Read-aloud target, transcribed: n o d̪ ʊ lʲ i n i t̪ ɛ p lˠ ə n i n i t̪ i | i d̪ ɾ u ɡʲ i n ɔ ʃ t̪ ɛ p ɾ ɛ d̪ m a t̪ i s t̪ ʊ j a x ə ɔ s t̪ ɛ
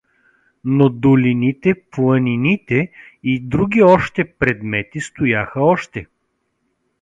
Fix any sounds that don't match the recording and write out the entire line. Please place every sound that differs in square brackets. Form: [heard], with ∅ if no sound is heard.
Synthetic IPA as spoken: n o d̪ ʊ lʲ i n i t̪ ɛ p lˠ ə n i n i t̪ [ɛ] | i d̪ ɾ u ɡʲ i [∅] ɔ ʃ t̪ ɛ p ɾ ɛ d̪ m [ɛ] t̪ i s t̪ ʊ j a x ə ɔ [ʃ] t̪ ɛ